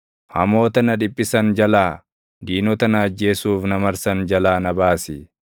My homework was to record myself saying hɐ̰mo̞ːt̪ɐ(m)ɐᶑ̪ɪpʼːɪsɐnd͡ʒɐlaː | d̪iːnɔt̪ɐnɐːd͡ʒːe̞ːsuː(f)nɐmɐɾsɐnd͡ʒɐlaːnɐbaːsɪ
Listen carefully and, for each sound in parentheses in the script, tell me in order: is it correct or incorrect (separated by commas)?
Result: incorrect, correct